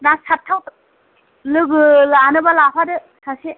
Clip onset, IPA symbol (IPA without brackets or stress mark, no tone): n